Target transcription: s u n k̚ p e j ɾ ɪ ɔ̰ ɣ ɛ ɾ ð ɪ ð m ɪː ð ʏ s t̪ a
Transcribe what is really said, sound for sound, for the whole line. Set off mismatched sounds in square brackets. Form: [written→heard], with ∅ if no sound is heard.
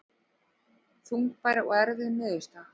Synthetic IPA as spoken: [s→θ] u [n→ŋ] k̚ p [e→a] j ɾ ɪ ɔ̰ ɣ ɛ ɾ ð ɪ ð m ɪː ð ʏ s t̪ a